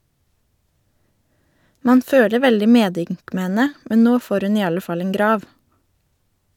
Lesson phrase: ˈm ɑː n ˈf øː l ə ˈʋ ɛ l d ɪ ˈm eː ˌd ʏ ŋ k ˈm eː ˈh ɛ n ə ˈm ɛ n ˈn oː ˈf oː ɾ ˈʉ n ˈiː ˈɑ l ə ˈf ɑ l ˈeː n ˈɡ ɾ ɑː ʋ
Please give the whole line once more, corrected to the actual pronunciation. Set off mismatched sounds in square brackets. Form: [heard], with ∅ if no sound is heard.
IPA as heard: ˈm ɑː n ˈf øː l ə ˈʋ ɛ l d ɪ ˈm eː ˌd ʏ ŋ k ˈm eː ˈh ɛ n ə ˈm ɛ n ˈn oː ˈf oː ɾ ˈʉ n ˈiː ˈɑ l ə ˈf ɑ l ˈeː [ŋ] ˈɡ ɾ ɑː ʋ